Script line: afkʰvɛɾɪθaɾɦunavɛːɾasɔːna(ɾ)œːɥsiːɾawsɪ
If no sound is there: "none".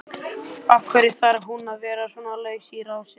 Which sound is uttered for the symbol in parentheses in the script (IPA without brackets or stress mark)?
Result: l